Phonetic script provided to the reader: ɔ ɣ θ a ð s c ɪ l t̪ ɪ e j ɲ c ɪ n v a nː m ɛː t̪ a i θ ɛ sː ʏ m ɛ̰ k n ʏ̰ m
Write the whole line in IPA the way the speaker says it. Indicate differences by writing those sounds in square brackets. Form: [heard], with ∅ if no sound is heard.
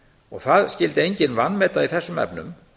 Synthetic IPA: ɔ ɣ θ a ð s c ɪ l t̪ ɪ e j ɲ c ɪ n v a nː m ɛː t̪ a i θ ɛ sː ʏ m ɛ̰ [p] n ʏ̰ m